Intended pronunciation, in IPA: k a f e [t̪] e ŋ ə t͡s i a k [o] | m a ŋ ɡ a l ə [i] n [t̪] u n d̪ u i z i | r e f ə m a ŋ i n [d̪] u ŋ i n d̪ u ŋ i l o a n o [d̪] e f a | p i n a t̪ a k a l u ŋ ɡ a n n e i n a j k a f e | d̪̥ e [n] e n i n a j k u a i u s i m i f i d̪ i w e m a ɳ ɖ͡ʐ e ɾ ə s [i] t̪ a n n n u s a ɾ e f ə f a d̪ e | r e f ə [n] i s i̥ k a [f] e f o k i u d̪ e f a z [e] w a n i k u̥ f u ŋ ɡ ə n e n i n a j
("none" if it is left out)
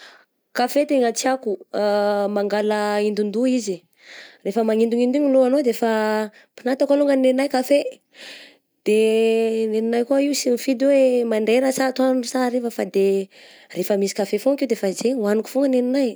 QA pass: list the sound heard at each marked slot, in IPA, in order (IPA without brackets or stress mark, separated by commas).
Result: t̪, u, i, d̪, d̪, d̪, n, a, m, f, e